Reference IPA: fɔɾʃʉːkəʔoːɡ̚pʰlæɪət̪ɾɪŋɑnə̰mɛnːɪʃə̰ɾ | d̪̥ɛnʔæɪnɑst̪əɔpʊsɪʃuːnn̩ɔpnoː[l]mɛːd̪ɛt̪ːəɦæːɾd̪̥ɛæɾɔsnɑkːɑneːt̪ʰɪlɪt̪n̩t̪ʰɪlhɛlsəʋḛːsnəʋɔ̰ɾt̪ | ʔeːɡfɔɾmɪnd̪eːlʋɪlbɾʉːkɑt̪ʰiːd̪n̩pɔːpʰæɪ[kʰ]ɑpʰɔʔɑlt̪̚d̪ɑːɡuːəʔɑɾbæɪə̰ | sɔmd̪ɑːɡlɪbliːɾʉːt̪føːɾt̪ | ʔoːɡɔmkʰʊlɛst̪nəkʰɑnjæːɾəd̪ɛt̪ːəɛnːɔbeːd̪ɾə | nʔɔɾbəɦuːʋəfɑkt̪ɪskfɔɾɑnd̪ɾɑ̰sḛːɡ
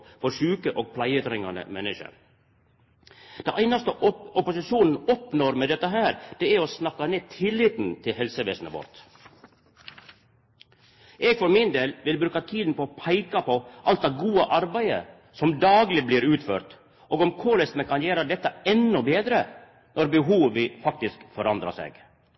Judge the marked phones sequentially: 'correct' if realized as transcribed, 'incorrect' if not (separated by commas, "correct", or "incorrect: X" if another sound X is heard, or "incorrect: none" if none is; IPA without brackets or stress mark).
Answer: incorrect: ɾ, incorrect: k